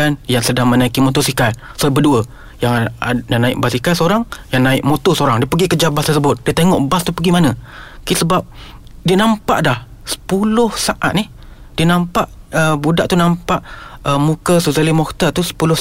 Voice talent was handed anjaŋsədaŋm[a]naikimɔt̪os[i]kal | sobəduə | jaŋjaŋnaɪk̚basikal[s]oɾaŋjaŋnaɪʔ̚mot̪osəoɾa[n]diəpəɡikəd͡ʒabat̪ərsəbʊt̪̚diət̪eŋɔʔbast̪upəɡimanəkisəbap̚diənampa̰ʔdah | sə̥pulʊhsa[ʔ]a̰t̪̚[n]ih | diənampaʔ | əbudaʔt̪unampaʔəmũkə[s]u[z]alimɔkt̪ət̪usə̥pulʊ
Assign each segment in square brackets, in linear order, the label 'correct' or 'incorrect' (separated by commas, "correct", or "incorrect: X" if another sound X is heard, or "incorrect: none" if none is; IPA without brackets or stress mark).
incorrect: ə, correct, correct, incorrect: ŋ, correct, correct, correct, correct